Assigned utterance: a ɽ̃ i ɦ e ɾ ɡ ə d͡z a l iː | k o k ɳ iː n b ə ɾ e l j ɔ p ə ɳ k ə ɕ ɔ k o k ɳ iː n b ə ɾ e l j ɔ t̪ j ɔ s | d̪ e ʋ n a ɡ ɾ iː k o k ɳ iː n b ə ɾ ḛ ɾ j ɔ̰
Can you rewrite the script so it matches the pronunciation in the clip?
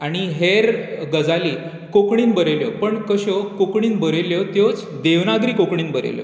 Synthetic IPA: a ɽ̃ i ɦ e ɾ ɡ ə d͡z a l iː | k o k ɳ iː n b ə ɾ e l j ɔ p ə ɳ k ə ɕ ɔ k o k ɳ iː n b ə ɾ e l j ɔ t̪ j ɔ t͡s | d̪ e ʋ n a ɡ ɾ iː k o k ɳ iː n b ə ɾ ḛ l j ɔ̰